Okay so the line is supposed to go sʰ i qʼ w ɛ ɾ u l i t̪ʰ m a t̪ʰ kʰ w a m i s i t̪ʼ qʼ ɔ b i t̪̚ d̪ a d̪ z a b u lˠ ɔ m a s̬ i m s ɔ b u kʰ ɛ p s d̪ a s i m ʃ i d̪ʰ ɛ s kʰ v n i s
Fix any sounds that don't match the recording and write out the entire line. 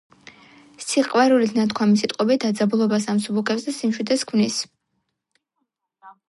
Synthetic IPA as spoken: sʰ i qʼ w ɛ ɾ u l i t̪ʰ n a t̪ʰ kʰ w a m i s i t̪ʼ qʼ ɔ b i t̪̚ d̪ a d̪ z a b u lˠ ɔ b a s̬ a m s u b u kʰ ɛ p s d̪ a s i m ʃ i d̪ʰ ɛ s kʰ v n i s